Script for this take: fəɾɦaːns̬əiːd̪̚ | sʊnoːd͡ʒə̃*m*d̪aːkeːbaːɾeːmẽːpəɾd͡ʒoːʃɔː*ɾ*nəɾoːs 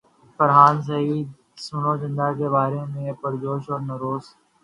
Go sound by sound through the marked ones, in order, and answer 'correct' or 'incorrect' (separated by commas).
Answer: incorrect, correct